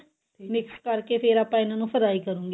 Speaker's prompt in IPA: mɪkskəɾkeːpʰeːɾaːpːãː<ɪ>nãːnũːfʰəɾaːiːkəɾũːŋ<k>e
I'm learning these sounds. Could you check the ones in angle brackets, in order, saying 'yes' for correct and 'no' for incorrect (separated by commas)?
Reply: yes, no